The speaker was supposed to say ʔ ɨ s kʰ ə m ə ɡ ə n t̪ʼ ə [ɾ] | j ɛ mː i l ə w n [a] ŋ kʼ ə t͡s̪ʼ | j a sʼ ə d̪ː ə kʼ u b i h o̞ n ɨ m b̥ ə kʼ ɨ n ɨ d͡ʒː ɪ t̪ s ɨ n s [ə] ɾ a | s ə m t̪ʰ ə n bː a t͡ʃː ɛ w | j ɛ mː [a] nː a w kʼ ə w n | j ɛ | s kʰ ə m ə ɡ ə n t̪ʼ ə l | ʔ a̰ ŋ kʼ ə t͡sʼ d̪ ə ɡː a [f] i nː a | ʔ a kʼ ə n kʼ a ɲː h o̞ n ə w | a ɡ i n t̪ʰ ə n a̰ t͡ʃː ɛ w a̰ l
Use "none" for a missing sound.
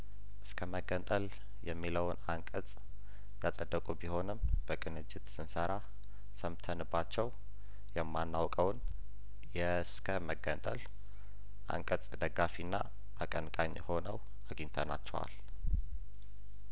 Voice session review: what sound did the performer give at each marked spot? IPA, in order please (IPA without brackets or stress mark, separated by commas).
l, a, ə, a, f